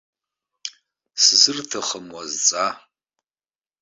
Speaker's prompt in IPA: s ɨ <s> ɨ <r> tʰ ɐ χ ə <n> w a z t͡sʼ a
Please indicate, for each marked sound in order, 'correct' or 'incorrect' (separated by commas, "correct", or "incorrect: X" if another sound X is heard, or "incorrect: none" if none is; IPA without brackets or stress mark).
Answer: incorrect: z, correct, incorrect: m